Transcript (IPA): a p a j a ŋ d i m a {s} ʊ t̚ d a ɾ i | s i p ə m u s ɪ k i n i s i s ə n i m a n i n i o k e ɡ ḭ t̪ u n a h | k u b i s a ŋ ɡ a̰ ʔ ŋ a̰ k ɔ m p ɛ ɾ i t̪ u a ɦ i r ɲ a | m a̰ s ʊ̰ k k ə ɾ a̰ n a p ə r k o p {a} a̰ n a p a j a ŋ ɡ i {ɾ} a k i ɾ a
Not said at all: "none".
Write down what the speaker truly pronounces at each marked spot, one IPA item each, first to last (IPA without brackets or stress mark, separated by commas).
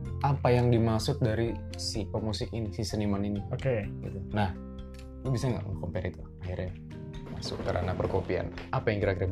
s, i, ɾ